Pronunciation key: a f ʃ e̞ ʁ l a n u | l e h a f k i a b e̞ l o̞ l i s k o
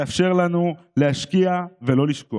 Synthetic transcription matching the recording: a f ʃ e̞ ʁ l a n u | l e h a ʃ k i a v e̞ l o̞ l i ʃ k o